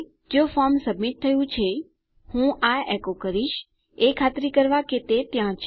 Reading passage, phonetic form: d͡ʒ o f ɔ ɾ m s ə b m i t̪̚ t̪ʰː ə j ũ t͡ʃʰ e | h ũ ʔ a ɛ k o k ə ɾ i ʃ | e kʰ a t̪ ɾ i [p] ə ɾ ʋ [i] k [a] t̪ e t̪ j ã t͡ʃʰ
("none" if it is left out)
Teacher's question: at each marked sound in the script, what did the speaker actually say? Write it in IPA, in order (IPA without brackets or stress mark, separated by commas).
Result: k, a, e